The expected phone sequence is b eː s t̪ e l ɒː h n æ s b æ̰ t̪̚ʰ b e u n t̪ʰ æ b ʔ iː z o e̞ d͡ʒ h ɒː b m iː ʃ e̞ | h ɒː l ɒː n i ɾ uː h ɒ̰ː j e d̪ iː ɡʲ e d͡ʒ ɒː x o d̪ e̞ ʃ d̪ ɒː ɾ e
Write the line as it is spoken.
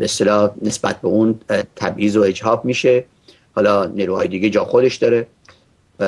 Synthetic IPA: b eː s t̪ e l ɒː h n e s b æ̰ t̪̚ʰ b e u n t̪ʰ æ b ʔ iː z o e̞ d͡ʒ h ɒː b m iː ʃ e̞ | h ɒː l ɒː n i ɾ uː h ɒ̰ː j e d̪ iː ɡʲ e d͡ʒ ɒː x o d̪ e̞ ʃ d̪ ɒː ɾ e